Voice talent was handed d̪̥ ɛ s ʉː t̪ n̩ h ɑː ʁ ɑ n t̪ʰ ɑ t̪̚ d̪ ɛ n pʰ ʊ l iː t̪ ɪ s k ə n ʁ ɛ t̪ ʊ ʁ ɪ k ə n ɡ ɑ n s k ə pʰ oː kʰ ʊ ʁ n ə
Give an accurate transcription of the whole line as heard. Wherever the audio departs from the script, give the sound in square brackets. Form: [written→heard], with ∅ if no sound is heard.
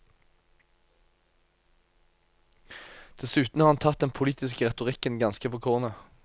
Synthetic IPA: d̪̥ ɛ s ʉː t̪ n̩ h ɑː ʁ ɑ n t̪ʰ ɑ t̪̚ d̪ ɛ n pʰ ʊ l iː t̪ ɪ s k ə [n→∅] ʁ ɛ t̪ ʊ ʁ ɪ k ə n ɡ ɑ n s k ə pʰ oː kʰ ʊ ʁ n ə